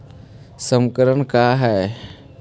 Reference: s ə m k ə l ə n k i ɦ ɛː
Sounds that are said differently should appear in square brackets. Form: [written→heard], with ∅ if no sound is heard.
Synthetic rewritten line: s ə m k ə [l→ɾ] ə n k [i→a] ɦ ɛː